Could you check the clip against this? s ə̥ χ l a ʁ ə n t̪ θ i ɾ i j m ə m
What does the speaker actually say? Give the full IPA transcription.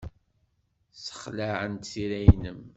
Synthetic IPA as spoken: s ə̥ χ l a ʕ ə n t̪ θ i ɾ æ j n ə m